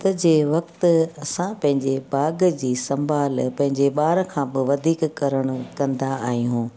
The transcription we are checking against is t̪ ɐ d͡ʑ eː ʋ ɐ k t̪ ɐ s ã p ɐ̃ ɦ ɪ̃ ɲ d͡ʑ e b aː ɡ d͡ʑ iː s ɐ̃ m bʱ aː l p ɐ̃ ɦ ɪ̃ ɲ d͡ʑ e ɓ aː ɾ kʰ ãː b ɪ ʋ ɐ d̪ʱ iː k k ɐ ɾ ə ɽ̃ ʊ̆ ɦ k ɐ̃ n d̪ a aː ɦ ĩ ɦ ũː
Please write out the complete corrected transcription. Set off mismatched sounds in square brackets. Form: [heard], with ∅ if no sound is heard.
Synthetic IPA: t̪ ɐ d͡ʑ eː ʋ ɐ k t̪ ɐ s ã p ɐ̃ ɦ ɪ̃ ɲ d͡ʑ e b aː ɡ d͡ʑ iː s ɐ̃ m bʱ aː l p ɐ̃ ɦ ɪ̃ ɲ d͡ʑ e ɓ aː ɾ kʰ ãː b ɪ ʋ ɐ d̪ʱ iː k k ɐ ɾ ə ɽ̃ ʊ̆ [∅] k ɐ̃ n d̪ a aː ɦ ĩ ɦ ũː